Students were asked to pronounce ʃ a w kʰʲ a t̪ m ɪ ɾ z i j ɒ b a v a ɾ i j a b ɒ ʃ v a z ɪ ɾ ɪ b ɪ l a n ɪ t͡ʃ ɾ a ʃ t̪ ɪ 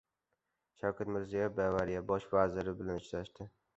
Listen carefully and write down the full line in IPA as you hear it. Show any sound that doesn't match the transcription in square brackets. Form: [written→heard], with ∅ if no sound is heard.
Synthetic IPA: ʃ a w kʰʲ a t̪ m ɪ ɾ z i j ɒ b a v a ɾ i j a b ɒ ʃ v a z ɪ ɾ ɪ b ɪ l a n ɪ t͡ʃ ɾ a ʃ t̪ ɪ